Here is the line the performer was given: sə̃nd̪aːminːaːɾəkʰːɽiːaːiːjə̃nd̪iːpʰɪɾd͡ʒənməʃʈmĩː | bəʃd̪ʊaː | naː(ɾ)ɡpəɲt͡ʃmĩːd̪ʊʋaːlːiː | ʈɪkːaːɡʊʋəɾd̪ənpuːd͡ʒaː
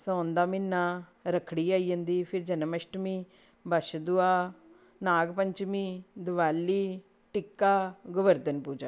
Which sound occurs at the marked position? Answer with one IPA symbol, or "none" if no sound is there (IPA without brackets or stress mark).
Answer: none